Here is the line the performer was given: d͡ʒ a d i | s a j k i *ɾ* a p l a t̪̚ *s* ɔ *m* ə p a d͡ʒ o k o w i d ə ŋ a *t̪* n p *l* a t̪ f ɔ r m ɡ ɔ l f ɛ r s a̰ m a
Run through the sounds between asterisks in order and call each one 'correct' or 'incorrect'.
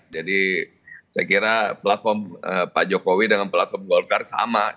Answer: correct, incorrect: f, correct, incorrect: none, correct

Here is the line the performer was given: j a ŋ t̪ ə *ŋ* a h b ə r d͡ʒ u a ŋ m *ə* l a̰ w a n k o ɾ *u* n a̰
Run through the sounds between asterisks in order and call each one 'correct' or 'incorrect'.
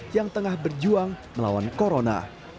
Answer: correct, correct, incorrect: o

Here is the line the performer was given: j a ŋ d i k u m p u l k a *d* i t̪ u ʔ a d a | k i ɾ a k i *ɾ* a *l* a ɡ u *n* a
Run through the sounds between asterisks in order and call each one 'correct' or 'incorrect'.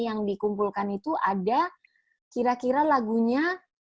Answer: incorrect: n, correct, correct, incorrect: ɲ

